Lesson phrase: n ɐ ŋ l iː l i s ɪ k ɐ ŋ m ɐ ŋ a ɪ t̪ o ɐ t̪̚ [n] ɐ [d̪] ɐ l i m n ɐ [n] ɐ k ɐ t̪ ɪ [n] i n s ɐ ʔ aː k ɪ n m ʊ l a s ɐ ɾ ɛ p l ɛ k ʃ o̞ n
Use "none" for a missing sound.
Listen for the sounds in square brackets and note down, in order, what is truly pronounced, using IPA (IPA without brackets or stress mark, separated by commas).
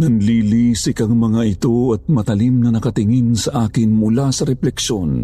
m, t̪, n, ŋ